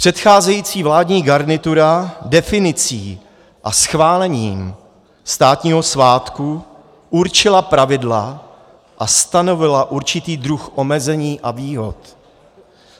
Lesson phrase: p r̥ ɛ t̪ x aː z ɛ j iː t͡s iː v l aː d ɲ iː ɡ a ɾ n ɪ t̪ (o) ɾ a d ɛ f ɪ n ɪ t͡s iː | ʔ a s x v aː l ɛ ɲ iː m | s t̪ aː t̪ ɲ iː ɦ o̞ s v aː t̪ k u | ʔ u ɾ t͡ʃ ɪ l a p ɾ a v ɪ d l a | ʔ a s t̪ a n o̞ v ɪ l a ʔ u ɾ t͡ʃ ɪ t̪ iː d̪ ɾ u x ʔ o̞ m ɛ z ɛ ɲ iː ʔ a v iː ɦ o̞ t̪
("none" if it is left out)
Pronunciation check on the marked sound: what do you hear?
u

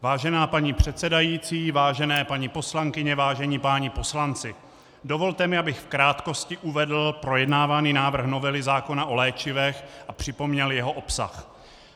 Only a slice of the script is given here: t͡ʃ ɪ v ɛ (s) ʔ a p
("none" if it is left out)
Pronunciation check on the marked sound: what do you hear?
x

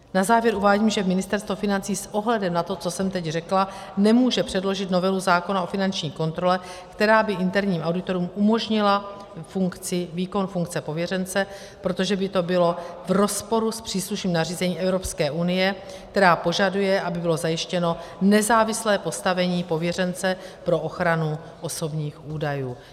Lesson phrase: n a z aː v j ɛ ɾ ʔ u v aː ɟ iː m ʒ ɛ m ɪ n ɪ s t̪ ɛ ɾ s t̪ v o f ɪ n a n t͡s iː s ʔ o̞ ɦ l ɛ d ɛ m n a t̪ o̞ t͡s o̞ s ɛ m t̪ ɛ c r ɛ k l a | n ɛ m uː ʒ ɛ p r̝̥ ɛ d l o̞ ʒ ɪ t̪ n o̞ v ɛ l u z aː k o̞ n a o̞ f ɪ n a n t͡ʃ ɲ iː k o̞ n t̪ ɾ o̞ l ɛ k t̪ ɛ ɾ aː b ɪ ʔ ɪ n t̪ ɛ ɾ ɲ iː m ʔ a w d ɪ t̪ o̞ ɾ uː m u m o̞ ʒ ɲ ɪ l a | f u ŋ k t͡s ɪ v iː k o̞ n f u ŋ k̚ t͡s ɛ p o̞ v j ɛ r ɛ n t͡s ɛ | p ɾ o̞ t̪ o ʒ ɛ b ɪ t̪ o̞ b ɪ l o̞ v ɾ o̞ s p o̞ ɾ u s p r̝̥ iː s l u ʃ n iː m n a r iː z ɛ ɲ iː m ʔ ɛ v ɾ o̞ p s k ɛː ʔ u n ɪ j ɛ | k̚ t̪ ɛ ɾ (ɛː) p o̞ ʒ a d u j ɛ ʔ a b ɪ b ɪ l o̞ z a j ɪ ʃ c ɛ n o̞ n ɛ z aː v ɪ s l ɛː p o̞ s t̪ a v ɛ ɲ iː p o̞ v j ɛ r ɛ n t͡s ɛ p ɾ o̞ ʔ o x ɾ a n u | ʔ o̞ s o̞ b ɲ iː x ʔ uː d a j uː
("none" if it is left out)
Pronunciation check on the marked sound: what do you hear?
aː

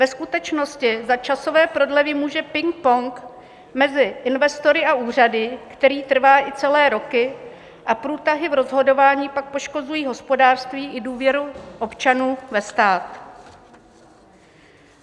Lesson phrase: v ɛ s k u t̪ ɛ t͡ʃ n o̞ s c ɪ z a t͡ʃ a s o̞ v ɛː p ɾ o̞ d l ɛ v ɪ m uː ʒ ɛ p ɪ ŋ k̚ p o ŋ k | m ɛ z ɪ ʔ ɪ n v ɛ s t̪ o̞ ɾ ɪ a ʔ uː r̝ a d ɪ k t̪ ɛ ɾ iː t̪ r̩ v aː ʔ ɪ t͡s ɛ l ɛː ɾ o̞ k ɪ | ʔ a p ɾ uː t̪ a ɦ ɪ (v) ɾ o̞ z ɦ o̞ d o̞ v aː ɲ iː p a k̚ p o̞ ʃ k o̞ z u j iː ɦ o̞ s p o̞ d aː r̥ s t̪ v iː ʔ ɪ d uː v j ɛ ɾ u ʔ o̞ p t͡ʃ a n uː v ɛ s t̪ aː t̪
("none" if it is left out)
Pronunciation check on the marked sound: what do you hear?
v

